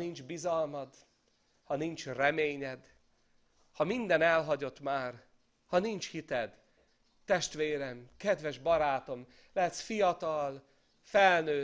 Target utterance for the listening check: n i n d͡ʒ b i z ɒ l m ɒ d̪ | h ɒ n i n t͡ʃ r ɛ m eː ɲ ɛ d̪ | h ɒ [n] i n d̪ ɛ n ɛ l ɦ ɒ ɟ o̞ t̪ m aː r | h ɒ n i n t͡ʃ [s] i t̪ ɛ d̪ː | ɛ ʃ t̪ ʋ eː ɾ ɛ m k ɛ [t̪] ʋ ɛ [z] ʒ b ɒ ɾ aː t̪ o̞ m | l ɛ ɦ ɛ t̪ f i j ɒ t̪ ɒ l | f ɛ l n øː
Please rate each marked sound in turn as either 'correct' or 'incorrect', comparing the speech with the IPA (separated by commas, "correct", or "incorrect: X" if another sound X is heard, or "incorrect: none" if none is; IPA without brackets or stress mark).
incorrect: m, incorrect: h, incorrect: d̪, incorrect: none